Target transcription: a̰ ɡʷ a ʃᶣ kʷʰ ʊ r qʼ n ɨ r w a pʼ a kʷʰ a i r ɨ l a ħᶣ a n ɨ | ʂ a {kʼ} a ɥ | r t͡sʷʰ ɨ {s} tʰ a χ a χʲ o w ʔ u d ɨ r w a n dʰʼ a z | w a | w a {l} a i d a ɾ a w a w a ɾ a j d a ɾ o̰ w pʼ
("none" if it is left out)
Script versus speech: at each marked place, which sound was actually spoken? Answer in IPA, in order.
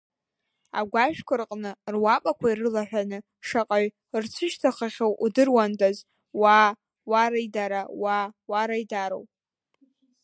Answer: qʼ, ʃ, ɾ

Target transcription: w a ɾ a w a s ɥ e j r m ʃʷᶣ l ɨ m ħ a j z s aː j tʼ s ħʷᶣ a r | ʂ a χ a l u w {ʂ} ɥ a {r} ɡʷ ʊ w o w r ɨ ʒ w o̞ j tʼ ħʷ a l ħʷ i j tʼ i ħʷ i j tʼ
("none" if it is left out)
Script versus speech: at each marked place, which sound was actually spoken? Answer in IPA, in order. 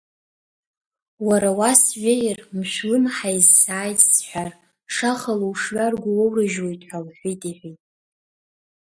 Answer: ʂ, r

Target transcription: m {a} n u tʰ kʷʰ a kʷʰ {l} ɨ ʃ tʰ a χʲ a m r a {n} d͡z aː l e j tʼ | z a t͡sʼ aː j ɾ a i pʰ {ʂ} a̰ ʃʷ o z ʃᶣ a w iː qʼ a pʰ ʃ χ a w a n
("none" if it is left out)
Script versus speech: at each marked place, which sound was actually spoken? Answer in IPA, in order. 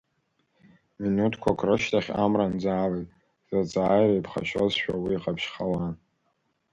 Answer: i, r, n, χ

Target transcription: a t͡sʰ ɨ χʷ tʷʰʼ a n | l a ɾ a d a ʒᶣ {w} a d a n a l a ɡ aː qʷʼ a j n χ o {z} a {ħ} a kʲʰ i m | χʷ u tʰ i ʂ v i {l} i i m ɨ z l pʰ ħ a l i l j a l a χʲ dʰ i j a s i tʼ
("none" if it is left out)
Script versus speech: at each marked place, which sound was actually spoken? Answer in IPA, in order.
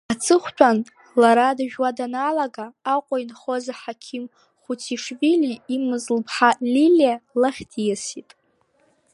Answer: w, z, ħ, l

